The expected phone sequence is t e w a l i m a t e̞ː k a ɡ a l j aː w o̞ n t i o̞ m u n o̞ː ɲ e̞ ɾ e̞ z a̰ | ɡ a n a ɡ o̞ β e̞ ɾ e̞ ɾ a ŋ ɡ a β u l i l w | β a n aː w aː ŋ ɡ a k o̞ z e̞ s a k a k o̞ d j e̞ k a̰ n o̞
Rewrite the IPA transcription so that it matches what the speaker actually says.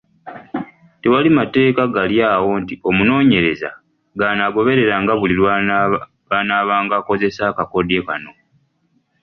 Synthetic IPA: t e w a l i m a t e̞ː k a ɡ a l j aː w o̞ n t i o̞ m u n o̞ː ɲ e̞ ɾ e̞ z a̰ | ɡ a n a ɡ o̞ β e̞ ɾ e̞ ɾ a ŋ ɡ a β u l i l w | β a n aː β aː ŋ ɡ a k o̞ z e̞ s a k a k o̞ d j e̞ k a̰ n o̞

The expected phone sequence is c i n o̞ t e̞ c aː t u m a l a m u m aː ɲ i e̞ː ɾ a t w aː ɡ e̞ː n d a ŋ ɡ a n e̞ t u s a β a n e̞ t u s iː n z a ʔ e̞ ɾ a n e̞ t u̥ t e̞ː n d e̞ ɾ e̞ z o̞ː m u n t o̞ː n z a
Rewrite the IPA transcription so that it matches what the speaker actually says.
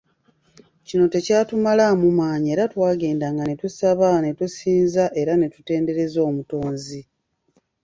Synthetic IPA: c i n o̞ t e̞ c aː t u m a l a m u m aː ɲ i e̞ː ɾ a t w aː ɡ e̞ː n d a ŋ ɡ a n e̞ t u s a β a n e̞ t u s iː n z a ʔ e̞ ɾ a n e̞ t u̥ t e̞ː n d e̞ ɾ e̞ z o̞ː m u t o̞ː n z i

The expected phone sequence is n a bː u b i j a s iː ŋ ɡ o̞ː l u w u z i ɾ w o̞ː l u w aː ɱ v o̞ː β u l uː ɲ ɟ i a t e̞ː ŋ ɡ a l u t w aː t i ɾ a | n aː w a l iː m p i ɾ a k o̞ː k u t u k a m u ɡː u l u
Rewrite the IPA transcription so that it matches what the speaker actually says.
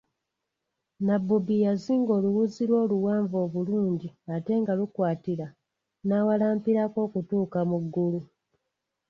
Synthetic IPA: n a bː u b i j a z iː ŋ ɡ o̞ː l u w u z i ɾ w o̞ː l u w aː ɱ v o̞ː β u l uː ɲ ɟ i a t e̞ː ŋ ɡ a l u k w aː t i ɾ a | n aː w a l aː m p i ɾ a k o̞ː k u t uː k a m u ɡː u l u

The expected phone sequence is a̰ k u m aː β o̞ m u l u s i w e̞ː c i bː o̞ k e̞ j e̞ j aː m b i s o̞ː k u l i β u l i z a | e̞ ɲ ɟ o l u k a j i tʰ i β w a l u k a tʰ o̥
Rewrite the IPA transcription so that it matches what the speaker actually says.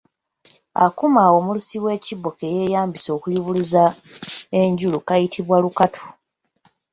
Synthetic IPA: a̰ k u m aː w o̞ m u l u s i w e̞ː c i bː o̞ k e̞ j e̞ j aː m b i s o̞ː k u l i β u l i z a | e̞ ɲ ɟ u l u k a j i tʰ i β w a l u k a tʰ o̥

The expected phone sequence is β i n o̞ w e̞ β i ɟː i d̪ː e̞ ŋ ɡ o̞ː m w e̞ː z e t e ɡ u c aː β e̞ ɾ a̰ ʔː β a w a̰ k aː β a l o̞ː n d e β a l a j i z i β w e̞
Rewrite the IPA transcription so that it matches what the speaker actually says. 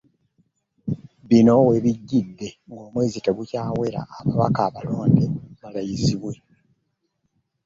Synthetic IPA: β i n o̞ w e̞ β i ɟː i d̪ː e̞ ŋ ɡ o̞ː m w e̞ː z i t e ɡ u c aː w e̞ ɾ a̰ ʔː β a β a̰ k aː β a l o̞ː n d e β a l a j i z i β w e̞

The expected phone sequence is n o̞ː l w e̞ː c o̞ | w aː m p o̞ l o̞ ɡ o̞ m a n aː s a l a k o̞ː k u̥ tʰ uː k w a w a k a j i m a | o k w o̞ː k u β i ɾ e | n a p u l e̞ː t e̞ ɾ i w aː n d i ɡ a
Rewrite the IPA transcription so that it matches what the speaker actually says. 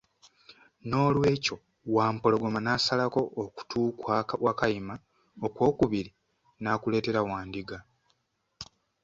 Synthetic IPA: n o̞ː l w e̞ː c o̞ | w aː m p o̞ l o̞ ɡ o̞ m a n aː s a l a k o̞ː k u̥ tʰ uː k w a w a k a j i m a | o k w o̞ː k u β i ɾ i | n a k u l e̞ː t e̞ ɾ a w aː n d i ɡ a

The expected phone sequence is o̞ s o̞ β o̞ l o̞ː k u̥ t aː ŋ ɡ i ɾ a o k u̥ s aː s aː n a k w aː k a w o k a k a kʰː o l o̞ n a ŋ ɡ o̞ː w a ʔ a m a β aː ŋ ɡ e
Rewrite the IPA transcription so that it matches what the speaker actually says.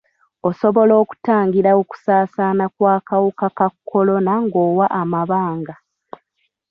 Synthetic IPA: o̞ s o̞ β o̞ l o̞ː k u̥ t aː ŋ ɡ i ɾ a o k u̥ s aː s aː n a k w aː k a w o k a k a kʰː o l o̞ n a ŋ ɡ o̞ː w a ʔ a m a β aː ŋ ɡ a

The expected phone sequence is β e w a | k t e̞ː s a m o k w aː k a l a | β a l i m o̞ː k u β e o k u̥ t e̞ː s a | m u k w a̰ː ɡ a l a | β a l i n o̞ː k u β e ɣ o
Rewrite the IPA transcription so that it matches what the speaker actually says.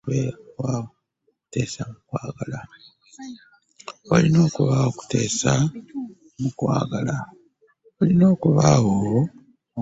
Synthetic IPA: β e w a | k t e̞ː s a m u k w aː ɡ a l a | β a l i n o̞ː k u β a o k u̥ t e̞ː s a | m u k w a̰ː ɡ a l a | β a l i n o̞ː k u β a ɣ o

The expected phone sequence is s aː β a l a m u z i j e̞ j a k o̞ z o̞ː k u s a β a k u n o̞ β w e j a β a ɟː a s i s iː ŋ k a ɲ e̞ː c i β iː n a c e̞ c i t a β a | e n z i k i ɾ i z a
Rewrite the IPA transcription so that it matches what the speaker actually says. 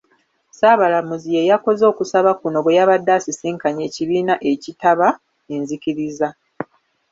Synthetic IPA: s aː β a l a m u z i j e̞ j a k o̞ z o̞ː k u s a β a k u n o̞ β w e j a β a dː a s i s iː ŋ k a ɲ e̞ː c i β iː n a ʔ e̞ c i t a β a | e n z i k i ɾ i z a

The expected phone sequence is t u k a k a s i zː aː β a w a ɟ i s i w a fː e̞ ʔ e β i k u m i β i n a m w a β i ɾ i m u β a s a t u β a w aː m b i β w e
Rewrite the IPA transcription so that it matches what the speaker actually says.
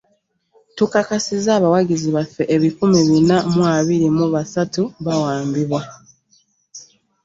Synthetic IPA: t u k a k a s i z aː β a w a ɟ i z i β a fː e̞ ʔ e β i k u m i β i n a m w a β i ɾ i m u β a s a t u β a w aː m b i β w a

